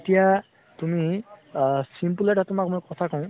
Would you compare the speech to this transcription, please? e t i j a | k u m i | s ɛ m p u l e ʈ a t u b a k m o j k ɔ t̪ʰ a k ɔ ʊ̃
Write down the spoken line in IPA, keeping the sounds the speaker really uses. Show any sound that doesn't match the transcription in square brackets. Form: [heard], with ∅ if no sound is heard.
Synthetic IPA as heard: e t i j a | [t] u m i | s [i] m p u l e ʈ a t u [m] a k m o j k ɔ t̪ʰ a k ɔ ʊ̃